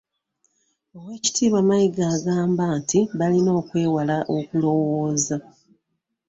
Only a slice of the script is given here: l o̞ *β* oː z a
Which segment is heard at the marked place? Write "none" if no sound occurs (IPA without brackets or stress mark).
w